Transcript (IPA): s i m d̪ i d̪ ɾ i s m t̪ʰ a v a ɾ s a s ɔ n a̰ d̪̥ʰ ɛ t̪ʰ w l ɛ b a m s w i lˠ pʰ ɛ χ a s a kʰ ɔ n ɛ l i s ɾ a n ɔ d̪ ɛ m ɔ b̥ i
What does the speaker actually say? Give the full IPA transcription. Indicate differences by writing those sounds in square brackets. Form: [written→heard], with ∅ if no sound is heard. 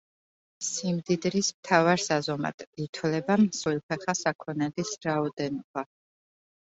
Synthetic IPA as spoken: s i m d̪ i d̪ ɾ i s m t̪ʰ a v a ɾ s a [s→z] ɔ [n→m] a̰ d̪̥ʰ [ɛ→i] t̪ʰ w l ɛ b a m s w i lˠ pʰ ɛ χ a s a kʰ ɔ n ɛ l i s ɾ a [n→∅] ɔ d̪ ɛ [m→n] ɔ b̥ [i→a]